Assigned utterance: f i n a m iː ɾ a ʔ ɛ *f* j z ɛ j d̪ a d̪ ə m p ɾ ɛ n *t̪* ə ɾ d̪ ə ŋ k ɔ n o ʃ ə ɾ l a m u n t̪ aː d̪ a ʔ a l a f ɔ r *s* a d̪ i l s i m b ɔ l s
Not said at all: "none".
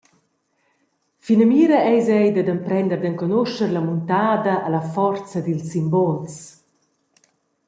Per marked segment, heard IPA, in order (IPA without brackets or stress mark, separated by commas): none, d̪, t͡s